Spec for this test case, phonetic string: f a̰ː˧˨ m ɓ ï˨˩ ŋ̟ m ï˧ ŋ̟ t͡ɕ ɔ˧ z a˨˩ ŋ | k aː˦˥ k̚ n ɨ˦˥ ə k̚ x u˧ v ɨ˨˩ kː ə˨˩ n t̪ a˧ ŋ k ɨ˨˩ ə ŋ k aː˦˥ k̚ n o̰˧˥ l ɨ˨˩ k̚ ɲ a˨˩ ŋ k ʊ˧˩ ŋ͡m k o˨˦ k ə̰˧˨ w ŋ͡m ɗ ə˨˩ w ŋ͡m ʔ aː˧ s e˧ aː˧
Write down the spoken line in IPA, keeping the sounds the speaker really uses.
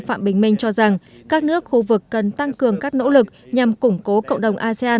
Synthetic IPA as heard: f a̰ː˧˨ m ɓ ï˨˩ ŋ̟ m ï˧ ŋ̟ t͡ɕ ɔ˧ z a˨˩ ŋ | k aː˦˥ k̚ n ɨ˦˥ ə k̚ x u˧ v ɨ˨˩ kː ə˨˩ n t̪ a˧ ŋ k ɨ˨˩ ə ŋ k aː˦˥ k̚ n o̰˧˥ l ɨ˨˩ k̚ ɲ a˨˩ m k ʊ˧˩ ŋ͡m k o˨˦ k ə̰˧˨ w ŋ͡m ɗ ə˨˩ w ŋ͡m ʔ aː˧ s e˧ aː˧